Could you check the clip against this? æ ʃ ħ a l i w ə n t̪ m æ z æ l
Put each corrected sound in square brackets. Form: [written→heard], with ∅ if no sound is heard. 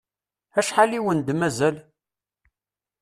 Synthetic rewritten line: æ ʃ ħ a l i w ə n [t̪→d̪] m æ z æ l